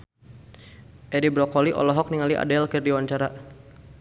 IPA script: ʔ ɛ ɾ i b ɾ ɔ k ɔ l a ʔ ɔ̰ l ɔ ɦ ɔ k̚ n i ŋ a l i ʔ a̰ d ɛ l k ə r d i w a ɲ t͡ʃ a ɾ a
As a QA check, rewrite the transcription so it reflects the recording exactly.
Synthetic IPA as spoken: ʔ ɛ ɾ i b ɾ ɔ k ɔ l i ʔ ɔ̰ l ɔ ɦ ɔ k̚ n i ŋ a l i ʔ a̰ d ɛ l k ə r d i w a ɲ t͡ʃ a ɾ a